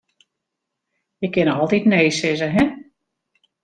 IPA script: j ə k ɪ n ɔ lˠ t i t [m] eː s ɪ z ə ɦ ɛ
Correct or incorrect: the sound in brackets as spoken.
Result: incorrect: n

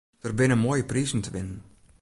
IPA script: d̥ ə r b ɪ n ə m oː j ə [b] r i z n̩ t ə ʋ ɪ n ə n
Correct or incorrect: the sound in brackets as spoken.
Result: incorrect: p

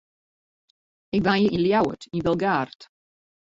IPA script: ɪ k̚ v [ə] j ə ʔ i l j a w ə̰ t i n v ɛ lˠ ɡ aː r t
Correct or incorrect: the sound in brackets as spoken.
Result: incorrect: a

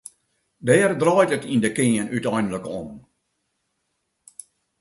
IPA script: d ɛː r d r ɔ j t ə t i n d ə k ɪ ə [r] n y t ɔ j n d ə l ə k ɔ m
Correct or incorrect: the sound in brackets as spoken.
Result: incorrect: none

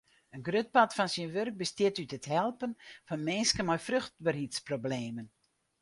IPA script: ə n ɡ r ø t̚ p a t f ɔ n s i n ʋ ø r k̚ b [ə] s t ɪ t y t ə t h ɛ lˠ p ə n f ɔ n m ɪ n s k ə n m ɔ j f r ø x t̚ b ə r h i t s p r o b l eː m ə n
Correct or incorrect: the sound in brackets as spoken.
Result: correct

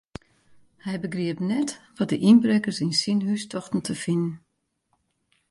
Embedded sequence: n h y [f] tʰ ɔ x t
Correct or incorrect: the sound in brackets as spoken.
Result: incorrect: s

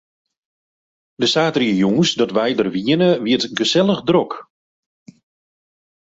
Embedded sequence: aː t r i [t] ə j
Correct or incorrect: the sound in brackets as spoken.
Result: incorrect: none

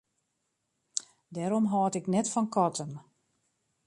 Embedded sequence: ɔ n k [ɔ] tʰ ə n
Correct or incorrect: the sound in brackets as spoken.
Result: correct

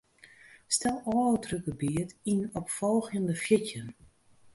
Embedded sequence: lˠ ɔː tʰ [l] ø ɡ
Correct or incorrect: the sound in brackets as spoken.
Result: incorrect: r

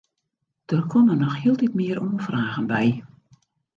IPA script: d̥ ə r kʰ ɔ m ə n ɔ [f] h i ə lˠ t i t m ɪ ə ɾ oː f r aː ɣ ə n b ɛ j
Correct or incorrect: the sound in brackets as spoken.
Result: incorrect: x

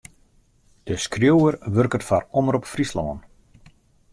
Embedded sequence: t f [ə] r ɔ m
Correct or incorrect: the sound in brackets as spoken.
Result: incorrect: a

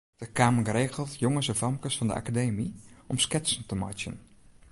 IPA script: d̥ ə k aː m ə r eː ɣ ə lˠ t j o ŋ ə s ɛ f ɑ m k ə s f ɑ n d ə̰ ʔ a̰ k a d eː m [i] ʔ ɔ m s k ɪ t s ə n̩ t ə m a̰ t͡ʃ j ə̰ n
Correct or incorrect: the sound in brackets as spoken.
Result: correct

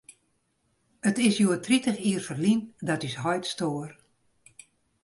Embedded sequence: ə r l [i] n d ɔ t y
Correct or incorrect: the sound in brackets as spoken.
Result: correct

